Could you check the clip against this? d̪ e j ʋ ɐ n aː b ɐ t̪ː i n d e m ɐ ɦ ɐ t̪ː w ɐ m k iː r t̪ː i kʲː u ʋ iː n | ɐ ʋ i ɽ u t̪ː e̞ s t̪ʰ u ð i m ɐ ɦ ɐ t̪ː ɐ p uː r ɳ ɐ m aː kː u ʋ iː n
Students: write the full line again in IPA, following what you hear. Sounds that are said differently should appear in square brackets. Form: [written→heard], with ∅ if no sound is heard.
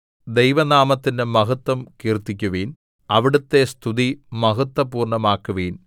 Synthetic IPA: d̪ e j ʋ ɐ n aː [b→m] ɐ t̪ː i n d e m ɐ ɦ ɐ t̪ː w ɐ m k iː r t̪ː i kʲː u ʋ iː n | ɐ ʋ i ɽ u t̪ː e̞ s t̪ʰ u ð i m ɐ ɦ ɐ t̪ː ɐ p uː r ɳ ɐ m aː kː u ʋ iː n